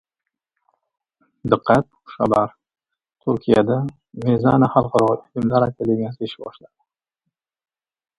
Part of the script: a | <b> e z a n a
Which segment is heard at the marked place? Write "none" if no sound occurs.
m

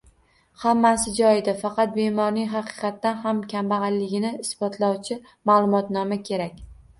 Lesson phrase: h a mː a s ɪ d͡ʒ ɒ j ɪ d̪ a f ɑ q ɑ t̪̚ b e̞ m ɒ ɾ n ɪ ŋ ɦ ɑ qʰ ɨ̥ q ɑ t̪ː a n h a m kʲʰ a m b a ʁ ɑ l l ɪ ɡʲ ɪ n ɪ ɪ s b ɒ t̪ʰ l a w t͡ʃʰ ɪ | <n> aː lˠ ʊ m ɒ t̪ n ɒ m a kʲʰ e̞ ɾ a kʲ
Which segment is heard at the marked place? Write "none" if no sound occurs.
m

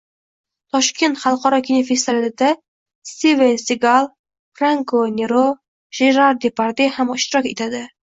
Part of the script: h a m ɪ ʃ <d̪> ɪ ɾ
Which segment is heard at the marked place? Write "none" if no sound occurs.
t̪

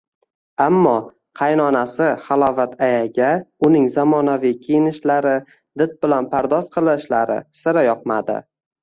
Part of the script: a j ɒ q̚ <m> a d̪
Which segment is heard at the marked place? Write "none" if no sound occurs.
m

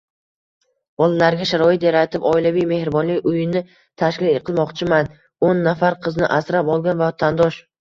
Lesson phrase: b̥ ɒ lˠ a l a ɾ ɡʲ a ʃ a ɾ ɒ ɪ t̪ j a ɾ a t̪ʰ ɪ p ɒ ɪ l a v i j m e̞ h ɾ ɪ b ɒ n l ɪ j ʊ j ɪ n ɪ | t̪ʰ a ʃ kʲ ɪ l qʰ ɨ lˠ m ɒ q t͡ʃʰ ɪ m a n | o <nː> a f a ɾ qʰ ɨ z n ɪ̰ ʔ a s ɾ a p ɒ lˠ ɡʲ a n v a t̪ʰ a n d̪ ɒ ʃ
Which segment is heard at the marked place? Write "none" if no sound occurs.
nː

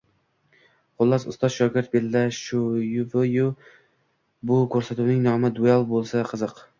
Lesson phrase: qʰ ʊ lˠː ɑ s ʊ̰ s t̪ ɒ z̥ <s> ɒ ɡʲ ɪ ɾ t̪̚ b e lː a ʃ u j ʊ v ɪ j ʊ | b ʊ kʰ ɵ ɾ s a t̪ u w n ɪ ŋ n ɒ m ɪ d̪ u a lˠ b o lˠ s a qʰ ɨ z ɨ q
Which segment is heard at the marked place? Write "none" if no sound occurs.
ʃ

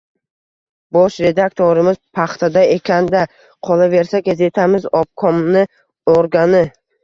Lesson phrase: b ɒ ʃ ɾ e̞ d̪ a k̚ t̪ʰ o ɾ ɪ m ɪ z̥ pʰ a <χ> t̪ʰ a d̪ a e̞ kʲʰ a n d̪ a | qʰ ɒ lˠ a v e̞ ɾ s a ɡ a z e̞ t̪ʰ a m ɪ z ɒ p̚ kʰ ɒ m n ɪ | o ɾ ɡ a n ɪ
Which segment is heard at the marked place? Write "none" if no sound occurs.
χ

